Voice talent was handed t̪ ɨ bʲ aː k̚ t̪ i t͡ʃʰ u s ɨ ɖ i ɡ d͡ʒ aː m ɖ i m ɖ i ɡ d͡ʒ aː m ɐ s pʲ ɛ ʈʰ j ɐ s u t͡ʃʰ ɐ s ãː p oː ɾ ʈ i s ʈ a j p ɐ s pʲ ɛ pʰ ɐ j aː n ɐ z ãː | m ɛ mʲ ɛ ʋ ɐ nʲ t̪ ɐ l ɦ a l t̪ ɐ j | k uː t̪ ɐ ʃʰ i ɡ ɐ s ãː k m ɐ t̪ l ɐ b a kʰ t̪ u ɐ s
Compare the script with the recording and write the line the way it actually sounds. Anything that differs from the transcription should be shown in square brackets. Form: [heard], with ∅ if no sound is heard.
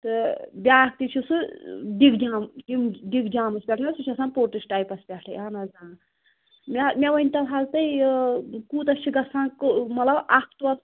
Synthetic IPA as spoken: t̪ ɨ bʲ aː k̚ t̪ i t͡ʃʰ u s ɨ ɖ i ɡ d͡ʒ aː m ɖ i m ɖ i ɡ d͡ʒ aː m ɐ s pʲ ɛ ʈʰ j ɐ s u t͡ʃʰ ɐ s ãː p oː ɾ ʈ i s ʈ a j p ɐ s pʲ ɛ [ʈʰ] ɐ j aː n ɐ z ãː | m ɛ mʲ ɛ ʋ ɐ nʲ t̪ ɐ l ɦ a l t̪ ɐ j | k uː t̪ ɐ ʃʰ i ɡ ɐ s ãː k m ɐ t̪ l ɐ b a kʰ t̪ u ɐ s